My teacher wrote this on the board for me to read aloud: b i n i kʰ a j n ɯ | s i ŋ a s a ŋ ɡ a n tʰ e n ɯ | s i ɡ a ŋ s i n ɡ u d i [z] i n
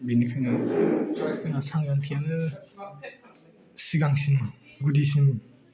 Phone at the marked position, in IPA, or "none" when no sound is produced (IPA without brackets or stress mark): s